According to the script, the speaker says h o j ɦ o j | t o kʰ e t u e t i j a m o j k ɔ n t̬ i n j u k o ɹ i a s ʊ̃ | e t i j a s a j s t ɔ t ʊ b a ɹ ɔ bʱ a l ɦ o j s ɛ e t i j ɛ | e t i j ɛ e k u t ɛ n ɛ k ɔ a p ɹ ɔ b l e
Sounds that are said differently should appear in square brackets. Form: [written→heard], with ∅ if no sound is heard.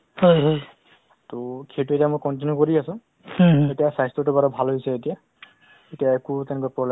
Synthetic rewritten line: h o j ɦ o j | t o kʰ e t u e t i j a m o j k ɔ n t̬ i n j u k o ɹ i a s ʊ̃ | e t i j a s a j s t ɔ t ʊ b a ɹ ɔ bʱ a l ɦ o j s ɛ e t i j [ɛ→a] | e t i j [ɛ→a] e k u t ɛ n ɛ k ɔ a p ɹ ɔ b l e